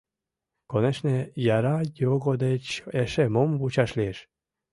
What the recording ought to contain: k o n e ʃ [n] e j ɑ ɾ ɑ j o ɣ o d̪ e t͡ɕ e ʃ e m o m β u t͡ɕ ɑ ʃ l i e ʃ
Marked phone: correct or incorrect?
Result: correct